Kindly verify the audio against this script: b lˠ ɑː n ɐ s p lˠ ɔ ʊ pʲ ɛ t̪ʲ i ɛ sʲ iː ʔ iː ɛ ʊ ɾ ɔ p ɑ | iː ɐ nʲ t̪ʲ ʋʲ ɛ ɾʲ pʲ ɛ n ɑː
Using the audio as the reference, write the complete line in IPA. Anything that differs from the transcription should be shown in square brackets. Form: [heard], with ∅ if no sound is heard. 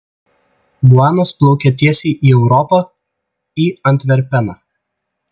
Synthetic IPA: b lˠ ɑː n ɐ s p lˠ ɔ ʊ [kʲ] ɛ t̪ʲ i ɛ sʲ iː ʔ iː ɛ ʊ ɾ ɔ p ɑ | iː ɐ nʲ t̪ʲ ʋʲ ɛ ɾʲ pʲ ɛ n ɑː